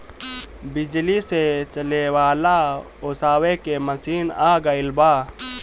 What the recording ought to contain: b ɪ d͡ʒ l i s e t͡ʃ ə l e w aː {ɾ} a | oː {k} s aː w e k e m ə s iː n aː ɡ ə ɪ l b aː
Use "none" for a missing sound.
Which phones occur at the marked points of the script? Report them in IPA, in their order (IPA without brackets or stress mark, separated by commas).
l, none